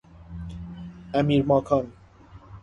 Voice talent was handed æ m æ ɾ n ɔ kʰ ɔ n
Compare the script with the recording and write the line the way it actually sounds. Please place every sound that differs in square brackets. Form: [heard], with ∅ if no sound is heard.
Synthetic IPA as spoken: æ m [i] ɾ [m] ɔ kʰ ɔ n